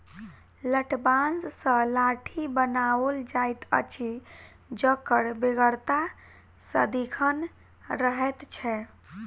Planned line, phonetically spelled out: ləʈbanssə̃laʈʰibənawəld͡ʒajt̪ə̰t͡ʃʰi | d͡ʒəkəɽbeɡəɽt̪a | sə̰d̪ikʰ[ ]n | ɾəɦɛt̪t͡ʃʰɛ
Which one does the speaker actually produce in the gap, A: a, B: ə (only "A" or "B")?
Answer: B